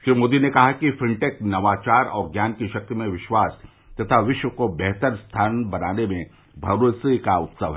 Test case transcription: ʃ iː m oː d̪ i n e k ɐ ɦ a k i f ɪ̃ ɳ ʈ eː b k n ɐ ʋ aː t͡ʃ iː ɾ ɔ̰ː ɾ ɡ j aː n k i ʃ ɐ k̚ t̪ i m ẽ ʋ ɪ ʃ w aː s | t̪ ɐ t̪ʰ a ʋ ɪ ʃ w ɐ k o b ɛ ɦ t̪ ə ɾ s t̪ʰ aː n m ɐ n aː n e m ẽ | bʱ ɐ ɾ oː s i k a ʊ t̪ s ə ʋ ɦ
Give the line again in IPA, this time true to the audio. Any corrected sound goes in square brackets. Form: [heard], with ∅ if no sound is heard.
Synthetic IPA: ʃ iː m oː d̪ i n e k ɐ ɦ a k i f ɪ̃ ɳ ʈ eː [∅] k n ɐ ʋ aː t͡ʃ [aː] ɾ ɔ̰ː ɾ ɡ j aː n k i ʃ ɐ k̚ t̪ i m ẽ ʋ ɪ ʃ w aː s | t̪ ɐ t̪ʰ a ʋ ɪ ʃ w [ə] k o b ɛ ɦ t̪ ə ɾ s t̪ʰ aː n [b] ɐ n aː n e m ẽ | bʱ ɐ ɾ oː s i k a ʊ t̪ s ə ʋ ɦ